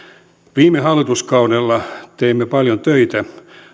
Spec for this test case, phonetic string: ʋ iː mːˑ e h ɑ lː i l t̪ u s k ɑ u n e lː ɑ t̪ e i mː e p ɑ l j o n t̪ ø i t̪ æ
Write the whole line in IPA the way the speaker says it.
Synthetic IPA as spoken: ʋ iː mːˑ e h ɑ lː i t̪ u s k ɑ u n e lː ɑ t̪ e i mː e p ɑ l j o n t̪ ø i t̪ æ